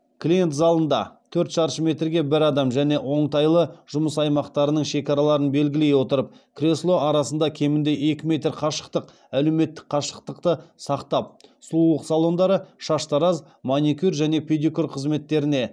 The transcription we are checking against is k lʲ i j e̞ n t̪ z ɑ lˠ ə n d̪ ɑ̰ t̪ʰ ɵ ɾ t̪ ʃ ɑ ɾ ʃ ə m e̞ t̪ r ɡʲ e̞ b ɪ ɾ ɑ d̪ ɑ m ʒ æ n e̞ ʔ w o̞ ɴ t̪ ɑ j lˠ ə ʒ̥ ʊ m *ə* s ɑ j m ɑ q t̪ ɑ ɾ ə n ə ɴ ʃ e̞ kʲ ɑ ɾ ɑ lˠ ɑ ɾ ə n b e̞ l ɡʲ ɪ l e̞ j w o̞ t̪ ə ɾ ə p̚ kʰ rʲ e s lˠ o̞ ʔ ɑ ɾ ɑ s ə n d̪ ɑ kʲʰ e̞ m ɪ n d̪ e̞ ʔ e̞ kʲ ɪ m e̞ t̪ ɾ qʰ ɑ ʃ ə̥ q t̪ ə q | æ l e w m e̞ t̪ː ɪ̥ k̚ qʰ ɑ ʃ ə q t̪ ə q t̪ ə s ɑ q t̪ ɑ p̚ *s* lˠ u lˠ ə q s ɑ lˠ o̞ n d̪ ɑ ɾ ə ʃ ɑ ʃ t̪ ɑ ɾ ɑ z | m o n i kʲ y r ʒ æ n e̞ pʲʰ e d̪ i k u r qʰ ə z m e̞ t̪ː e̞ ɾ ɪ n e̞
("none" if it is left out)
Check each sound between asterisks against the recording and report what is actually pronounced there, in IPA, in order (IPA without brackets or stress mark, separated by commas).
ə, s